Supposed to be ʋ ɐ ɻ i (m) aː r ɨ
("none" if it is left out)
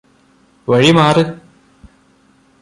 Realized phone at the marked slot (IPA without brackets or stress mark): m